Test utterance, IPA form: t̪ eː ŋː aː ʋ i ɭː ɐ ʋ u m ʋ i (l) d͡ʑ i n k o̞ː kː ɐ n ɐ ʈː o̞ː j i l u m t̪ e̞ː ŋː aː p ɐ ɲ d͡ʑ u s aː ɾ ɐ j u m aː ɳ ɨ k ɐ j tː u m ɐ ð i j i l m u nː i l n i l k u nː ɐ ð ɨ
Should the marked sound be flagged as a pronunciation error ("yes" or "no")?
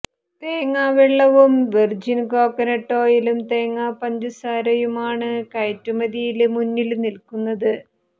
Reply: yes